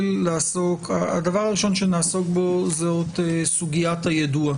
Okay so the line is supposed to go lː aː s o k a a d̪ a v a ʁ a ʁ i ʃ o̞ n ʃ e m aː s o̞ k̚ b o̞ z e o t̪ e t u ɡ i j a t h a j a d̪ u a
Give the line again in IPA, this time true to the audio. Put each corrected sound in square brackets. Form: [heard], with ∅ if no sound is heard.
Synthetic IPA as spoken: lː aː s o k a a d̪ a v a ʁ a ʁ i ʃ o̞ n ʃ e [n] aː s o̞ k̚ b o̞ z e o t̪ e [s] u ɡ i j a t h a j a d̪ u a

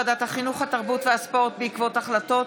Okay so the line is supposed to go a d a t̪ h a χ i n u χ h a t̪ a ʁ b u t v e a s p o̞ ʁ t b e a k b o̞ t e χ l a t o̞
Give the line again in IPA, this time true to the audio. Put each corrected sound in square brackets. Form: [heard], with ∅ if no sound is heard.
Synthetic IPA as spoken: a d a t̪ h a χ i n u χ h a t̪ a ʁ b u t v e a s p o̞ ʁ t b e [i] k [v] o̞ t [a] χ l a t o̞

